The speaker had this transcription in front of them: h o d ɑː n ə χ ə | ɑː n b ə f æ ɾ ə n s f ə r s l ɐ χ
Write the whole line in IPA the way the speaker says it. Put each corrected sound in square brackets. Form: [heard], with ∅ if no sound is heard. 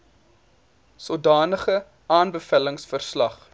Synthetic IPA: [s] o d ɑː n ə χ ə | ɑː n b ə f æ [l] ə [ŋ] s f ə r s l ɐ χ